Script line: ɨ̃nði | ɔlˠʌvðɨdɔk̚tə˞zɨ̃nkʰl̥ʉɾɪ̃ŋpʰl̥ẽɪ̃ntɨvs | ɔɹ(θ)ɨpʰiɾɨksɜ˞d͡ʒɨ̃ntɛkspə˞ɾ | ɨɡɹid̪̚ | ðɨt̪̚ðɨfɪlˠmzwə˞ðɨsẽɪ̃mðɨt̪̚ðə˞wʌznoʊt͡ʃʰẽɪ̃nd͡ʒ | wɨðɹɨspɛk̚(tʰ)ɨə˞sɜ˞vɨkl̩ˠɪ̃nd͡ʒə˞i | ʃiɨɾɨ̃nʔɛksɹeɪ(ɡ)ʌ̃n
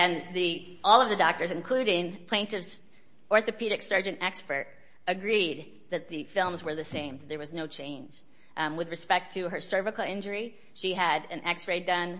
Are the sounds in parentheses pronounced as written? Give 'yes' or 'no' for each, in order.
yes, yes, no

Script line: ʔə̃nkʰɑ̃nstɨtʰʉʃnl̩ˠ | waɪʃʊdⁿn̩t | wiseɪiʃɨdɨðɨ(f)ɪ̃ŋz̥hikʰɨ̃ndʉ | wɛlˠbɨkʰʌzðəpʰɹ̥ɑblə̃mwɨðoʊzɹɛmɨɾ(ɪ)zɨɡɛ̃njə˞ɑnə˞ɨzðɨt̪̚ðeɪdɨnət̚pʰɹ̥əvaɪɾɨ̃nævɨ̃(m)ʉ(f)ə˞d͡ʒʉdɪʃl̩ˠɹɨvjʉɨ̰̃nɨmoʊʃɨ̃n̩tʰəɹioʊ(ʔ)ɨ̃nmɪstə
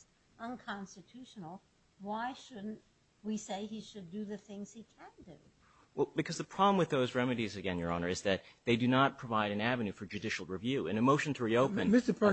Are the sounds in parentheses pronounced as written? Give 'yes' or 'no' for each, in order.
no, no, no, yes, no

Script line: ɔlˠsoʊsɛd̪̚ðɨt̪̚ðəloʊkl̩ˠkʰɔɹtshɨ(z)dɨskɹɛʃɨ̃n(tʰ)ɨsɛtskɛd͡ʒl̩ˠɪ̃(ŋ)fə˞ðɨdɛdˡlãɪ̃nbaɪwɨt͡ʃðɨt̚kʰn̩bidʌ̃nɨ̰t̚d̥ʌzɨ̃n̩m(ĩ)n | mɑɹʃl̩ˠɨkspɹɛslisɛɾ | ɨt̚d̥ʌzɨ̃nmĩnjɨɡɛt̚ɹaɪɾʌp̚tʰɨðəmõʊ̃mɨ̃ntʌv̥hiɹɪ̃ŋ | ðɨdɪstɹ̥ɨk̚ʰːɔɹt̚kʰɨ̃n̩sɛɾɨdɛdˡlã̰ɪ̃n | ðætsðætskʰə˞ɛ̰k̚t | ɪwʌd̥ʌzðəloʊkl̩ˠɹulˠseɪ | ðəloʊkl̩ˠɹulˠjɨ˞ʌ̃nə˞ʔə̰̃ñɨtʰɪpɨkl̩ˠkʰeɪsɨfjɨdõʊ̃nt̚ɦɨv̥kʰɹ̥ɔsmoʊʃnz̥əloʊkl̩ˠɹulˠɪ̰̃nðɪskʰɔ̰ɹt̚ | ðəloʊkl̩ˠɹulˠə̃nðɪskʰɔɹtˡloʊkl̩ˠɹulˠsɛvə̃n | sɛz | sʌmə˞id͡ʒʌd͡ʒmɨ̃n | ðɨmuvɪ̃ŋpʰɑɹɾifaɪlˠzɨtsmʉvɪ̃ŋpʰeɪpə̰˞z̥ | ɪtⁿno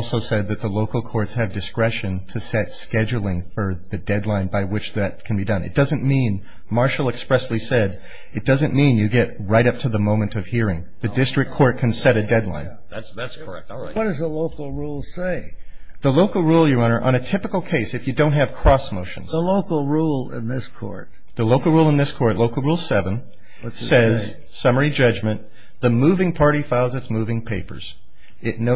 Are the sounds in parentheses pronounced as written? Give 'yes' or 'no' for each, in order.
no, yes, yes, yes

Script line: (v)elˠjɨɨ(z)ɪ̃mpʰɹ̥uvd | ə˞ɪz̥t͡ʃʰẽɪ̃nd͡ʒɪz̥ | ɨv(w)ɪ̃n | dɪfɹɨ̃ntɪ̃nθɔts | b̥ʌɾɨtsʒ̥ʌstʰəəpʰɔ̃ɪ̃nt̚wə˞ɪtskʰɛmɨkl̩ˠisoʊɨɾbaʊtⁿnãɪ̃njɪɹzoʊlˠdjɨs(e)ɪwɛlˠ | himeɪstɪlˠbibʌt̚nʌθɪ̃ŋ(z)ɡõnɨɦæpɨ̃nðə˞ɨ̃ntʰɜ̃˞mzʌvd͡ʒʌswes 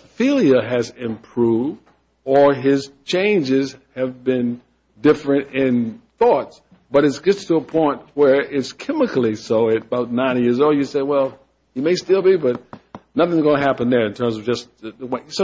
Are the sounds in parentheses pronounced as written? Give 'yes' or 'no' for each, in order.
no, yes, no, yes, yes

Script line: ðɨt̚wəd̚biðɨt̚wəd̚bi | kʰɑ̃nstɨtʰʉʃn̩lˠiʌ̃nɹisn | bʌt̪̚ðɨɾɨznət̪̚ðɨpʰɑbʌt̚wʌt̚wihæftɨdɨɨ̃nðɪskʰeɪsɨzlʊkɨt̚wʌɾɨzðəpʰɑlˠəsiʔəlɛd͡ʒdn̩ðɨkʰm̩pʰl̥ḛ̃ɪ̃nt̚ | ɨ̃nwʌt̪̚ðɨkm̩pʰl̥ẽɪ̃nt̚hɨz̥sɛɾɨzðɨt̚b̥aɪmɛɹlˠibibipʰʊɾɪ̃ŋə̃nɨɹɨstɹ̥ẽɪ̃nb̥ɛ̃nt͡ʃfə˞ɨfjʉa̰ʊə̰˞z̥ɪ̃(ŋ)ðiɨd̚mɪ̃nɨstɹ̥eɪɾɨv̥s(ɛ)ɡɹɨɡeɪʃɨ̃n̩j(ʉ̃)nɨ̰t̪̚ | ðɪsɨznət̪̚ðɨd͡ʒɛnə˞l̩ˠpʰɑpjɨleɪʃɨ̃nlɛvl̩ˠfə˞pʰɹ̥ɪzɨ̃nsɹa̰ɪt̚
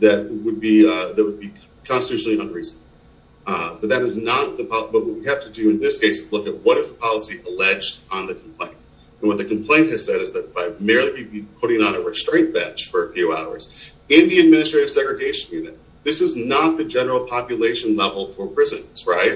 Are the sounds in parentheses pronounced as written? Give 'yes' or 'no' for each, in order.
no, yes, no

